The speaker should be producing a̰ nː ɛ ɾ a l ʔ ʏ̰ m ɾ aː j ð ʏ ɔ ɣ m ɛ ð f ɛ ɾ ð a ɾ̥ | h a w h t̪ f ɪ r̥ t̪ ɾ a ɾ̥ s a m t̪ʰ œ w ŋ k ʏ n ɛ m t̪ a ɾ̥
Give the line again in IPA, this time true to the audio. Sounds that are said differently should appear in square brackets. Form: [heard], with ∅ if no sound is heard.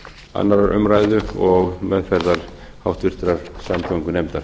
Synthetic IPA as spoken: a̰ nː [a] ɾ a [ɾ] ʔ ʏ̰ m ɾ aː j ð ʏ ɔ ɣ m ɛ ð f ɛ ɾ ð a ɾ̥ | h a w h t̪ [v] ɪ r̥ t̪ ɾ a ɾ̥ s a m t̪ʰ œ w ŋ k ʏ n ɛ m t̪ a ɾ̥